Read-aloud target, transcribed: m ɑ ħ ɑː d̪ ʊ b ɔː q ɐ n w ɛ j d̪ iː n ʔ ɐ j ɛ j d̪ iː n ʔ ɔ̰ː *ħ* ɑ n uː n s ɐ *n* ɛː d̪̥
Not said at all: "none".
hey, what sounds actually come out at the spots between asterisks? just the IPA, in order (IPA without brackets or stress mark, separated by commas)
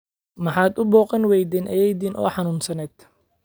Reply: ħ, n